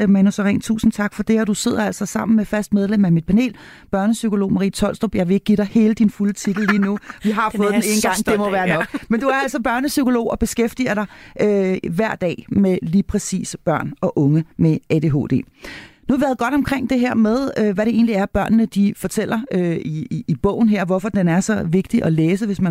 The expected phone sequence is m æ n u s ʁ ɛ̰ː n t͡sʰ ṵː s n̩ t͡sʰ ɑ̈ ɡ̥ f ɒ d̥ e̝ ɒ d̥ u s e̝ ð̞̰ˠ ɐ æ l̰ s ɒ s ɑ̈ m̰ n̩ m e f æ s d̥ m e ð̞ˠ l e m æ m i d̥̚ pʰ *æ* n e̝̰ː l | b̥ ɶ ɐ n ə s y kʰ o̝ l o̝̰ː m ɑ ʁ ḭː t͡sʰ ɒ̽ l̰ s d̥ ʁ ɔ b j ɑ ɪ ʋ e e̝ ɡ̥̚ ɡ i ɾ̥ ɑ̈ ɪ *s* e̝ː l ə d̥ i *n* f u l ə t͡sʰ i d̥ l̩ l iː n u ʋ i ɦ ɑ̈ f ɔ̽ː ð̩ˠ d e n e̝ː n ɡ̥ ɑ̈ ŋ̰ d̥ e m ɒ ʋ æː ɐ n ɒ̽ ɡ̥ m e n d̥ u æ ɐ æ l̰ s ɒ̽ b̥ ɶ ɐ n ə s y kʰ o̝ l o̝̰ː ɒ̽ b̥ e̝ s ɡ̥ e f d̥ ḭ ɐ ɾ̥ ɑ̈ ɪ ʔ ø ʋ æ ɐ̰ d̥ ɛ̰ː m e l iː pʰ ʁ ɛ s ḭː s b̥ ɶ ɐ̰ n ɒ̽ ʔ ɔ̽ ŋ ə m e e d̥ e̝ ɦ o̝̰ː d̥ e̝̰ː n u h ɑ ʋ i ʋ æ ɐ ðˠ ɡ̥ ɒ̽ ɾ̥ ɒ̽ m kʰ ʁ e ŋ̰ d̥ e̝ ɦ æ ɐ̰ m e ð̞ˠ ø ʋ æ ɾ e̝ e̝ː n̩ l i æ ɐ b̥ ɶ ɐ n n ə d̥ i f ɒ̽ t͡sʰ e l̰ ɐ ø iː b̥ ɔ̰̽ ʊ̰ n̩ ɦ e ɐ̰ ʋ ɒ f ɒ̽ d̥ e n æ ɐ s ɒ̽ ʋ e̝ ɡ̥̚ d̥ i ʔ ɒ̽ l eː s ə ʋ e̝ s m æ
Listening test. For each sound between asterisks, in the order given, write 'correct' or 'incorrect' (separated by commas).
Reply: correct, incorrect, correct